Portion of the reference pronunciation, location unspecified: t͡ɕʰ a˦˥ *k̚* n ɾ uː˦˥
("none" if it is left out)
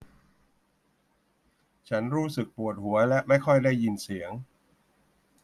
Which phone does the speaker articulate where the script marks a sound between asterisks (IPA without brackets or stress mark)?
none